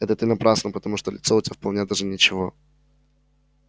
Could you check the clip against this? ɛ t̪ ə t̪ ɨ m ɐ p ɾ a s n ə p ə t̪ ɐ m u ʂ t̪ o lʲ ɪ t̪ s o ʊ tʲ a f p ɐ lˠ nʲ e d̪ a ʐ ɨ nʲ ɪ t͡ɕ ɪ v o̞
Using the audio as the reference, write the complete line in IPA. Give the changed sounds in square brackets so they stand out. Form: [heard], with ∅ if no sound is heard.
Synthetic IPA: ɛ t̪ ə t̪ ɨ [n] ɐ p ɾ a s n ə p ə t̪ ɐ m u ʂ t̪ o lʲ ɪ t̪ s o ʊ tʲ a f p ɐ lˠ nʲ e d̪ a ʐ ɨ nʲ ɪ t͡ɕ ɪ v o̞